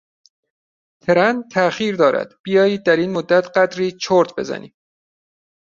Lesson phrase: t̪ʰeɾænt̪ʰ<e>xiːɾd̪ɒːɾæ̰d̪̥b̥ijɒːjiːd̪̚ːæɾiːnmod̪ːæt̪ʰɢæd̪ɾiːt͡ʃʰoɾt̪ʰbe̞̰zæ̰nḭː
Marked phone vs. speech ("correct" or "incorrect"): incorrect